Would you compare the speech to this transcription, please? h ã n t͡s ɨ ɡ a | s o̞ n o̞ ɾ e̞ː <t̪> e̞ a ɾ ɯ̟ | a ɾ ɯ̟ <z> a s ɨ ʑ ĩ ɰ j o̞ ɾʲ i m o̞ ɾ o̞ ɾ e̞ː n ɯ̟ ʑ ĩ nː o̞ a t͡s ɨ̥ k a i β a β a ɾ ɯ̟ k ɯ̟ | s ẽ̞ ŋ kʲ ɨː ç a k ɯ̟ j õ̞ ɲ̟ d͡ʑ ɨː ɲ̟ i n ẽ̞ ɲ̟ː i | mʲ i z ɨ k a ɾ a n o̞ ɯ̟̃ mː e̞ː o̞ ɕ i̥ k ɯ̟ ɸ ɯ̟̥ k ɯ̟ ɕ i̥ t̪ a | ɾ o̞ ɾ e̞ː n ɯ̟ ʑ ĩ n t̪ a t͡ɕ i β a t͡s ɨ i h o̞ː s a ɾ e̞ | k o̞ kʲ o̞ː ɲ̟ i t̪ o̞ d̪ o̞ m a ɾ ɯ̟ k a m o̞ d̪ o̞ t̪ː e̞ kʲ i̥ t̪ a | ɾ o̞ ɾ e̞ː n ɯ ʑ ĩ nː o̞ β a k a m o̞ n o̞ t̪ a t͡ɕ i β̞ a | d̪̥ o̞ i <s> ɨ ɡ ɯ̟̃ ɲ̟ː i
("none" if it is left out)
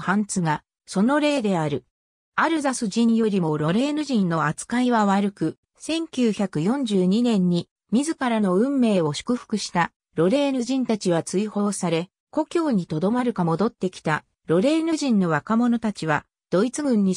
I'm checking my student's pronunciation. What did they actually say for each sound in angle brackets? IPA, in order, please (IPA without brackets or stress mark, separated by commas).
d̪, z, t͡s